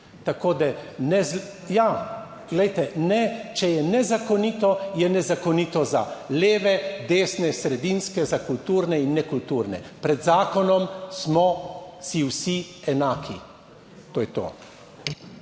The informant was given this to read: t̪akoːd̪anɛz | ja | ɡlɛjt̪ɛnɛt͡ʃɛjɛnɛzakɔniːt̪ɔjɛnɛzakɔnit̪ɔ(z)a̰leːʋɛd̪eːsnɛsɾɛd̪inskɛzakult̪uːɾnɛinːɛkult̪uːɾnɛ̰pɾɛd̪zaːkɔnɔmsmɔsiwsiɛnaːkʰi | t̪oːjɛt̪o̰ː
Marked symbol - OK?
yes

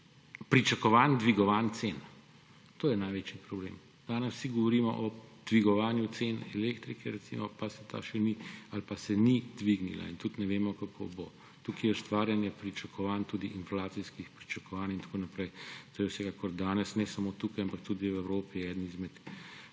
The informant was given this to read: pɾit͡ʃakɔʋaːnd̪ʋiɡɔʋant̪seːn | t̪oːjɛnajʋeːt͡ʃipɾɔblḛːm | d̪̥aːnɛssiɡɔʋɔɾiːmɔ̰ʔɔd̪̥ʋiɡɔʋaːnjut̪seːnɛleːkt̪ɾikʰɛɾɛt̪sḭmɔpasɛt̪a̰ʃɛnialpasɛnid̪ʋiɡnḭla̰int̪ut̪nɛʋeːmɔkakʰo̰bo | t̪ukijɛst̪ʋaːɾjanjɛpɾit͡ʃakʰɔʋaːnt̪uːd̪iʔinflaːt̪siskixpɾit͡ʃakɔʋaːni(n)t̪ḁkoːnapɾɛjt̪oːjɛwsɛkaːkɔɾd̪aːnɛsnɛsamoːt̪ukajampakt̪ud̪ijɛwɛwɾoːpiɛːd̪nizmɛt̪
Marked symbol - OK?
yes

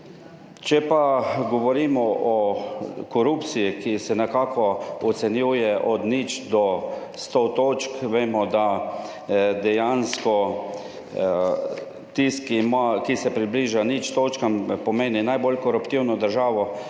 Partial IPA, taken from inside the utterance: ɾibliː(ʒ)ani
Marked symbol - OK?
yes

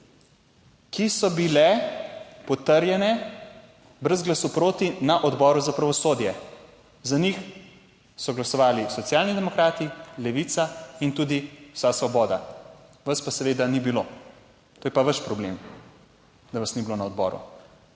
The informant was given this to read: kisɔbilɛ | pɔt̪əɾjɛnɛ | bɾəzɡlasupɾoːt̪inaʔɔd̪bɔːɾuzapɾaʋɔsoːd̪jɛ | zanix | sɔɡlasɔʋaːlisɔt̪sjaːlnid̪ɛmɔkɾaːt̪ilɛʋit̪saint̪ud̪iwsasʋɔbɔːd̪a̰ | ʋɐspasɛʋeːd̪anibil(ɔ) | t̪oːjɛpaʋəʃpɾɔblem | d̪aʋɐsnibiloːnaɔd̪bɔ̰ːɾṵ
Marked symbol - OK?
no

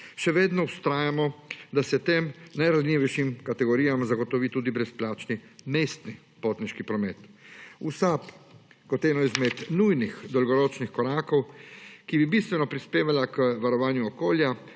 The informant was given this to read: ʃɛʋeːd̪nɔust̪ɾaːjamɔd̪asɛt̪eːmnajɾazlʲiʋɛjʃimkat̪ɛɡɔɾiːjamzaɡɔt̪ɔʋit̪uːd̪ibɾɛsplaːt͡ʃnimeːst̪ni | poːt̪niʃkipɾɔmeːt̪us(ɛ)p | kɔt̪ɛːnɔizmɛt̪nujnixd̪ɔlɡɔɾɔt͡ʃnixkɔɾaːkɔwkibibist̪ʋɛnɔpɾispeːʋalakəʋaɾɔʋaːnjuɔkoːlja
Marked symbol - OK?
no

